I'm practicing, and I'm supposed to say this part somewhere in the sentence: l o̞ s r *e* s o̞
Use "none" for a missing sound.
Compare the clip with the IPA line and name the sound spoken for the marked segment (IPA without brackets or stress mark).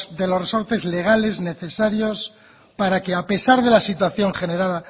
e